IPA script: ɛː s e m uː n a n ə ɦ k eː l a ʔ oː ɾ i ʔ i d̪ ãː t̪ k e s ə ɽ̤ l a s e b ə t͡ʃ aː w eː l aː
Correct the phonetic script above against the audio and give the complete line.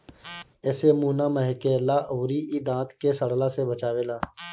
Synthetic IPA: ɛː s e m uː n a m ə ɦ k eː l a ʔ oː ɾ i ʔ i d̪ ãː t̪ k e s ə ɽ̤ l a s e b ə t͡ʃ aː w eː l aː